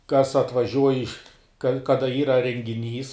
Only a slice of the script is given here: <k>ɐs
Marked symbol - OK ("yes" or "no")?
yes